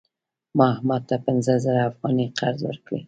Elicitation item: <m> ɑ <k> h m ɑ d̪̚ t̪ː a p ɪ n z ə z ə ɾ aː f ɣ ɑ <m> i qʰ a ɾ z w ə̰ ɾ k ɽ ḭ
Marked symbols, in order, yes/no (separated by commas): yes, no, no